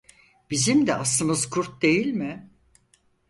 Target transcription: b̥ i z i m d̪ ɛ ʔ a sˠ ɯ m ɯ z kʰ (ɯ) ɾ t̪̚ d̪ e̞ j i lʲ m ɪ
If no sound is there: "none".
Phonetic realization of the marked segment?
u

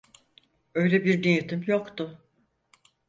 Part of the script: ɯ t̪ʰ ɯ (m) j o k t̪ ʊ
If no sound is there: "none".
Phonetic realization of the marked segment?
m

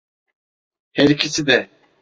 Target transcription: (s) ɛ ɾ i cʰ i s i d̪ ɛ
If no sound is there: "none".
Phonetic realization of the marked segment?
h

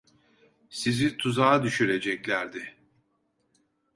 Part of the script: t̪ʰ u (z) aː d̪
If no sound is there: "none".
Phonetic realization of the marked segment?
z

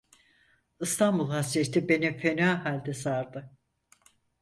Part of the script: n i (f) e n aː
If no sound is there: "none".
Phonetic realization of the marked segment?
f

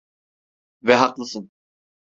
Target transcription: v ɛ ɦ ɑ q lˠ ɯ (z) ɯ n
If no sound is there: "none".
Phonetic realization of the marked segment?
s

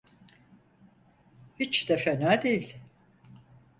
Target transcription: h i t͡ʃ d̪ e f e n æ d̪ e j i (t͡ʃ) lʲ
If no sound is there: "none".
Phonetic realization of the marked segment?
none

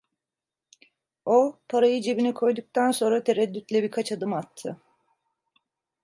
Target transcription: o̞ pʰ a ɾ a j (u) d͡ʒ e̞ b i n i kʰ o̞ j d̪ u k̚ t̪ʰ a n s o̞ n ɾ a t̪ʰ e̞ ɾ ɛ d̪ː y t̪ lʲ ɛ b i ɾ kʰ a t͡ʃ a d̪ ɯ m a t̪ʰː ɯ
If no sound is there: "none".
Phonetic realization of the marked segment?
ɯ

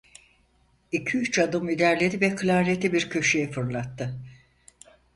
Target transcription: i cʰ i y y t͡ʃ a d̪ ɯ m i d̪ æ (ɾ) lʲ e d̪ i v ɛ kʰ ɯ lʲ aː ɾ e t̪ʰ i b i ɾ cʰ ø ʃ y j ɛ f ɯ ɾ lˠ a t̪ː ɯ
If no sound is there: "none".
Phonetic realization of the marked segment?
ɾ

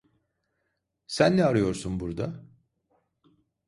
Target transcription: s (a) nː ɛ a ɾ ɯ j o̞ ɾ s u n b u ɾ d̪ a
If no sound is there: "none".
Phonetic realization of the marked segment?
æ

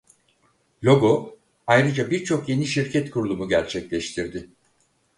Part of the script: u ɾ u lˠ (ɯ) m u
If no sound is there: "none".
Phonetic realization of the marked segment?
u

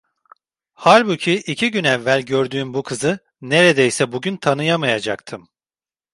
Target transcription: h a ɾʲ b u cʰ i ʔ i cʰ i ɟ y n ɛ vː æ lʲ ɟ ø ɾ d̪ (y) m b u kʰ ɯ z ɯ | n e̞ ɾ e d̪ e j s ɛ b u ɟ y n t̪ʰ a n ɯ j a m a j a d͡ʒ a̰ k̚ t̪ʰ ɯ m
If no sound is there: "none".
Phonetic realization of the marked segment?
yː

